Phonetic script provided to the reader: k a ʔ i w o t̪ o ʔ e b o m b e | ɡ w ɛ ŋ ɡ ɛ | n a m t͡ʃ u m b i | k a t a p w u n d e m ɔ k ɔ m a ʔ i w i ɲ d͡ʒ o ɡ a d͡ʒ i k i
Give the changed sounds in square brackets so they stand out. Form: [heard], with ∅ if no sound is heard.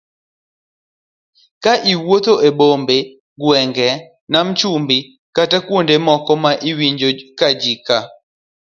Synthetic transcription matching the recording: k a ʔ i w o t̪ o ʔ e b o m b e | ɡ w ɛ ŋ ɡ ɛ | n a m t͡ʃ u m b i | k a t a [k] w [o] n d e m ɔ k ɔ m a ʔ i w i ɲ d͡ʒ o [k] a d͡ʒ i k [a]